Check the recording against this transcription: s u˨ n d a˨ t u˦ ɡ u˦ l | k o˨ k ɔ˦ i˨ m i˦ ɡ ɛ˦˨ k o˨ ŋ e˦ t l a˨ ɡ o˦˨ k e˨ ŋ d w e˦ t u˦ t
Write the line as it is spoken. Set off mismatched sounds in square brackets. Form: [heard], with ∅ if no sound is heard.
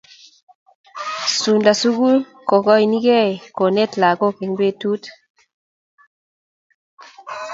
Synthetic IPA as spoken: s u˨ n d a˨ [s] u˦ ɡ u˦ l | k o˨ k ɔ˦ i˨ [n] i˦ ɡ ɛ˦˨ k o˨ [n] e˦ t l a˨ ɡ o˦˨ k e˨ ŋ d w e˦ t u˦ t